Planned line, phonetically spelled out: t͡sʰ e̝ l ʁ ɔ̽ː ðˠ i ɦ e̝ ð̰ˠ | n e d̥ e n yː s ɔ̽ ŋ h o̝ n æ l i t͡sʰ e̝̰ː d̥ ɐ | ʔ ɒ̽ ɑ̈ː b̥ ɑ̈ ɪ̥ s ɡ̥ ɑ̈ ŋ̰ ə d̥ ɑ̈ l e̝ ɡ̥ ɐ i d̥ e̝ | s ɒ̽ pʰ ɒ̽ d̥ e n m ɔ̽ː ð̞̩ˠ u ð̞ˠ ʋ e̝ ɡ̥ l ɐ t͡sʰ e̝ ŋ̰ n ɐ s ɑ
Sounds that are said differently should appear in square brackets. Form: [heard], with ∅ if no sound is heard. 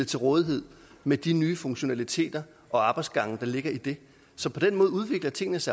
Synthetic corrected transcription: t͡sʰ e̝ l ʁ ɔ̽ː ðˠ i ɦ e̝ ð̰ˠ | [m] e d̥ [i] n yː [f] ɔ̽ ŋ [ɕ] o̝ n æ l i t͡sʰ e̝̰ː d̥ ɐ | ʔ ɒ̽ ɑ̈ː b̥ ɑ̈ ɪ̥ s ɡ̥ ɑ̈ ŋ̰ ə d̥ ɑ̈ l e̝ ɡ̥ ɐ i d̥ e̝ | s ɒ̽ pʰ ɒ̽ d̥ e n m ɔ̽ː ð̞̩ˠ u ð̞ˠ ʋ e̝ ɡ̥ l ɐ t͡sʰ e̝ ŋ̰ n [ə] s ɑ